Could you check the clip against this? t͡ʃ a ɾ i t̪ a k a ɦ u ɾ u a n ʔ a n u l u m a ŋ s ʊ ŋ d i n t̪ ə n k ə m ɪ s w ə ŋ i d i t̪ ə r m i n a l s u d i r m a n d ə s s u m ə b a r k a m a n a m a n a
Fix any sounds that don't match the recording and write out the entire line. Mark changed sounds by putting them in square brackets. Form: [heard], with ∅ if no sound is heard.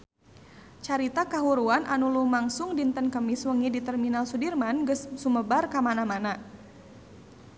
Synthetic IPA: t͡ʃ a ɾ i t̪ a k a ɦ u ɾ u a n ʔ a n u l u m a ŋ s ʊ ŋ d i n t̪ ə n k ə m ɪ s w ə ŋ i d i t̪ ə r m i n a l s u d i r m a n [ɡ] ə s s u m ə b a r k a m a n a m a n a